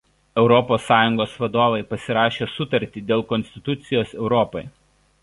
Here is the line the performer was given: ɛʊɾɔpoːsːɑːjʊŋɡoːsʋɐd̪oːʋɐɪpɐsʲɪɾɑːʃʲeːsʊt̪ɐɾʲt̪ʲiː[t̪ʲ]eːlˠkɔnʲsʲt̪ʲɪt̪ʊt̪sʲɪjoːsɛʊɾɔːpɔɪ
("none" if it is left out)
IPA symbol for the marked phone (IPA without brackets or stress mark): d̪ʲ